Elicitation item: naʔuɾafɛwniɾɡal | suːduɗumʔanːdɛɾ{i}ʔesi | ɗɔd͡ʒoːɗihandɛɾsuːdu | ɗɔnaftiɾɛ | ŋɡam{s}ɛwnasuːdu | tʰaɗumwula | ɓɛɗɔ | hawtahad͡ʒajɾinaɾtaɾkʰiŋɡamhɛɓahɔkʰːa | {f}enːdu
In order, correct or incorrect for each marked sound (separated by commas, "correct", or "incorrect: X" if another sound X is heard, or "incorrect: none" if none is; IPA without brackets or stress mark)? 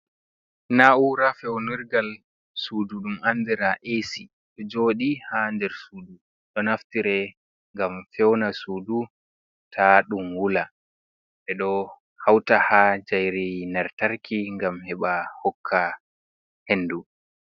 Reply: incorrect: a, incorrect: f, incorrect: h